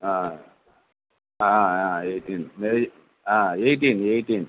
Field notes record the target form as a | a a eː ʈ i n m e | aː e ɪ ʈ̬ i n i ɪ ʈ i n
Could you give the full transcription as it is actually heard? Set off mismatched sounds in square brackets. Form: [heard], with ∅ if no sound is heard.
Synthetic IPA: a | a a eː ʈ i n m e | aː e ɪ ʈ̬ i n [e] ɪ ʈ i n